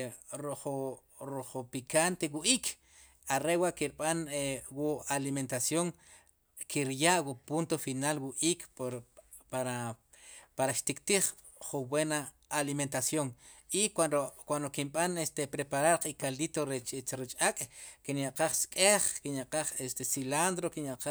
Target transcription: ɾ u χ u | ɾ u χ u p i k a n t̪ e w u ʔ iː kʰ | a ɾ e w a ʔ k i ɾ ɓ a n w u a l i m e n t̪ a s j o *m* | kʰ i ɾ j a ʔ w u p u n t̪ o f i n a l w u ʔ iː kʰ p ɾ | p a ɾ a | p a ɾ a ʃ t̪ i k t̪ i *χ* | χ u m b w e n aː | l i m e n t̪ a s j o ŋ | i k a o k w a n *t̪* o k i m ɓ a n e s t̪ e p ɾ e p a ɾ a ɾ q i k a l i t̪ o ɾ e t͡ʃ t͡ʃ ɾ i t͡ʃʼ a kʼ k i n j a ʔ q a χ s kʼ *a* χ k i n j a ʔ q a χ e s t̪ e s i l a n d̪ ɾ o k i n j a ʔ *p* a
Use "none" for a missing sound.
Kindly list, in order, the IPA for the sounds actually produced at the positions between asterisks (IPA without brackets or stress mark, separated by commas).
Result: ŋ, χ, d̪, e, q